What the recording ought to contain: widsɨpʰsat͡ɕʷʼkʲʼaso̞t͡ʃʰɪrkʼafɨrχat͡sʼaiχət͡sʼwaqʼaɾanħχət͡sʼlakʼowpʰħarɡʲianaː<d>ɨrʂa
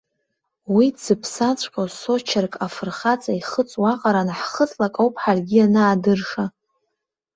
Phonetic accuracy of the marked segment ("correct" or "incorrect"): correct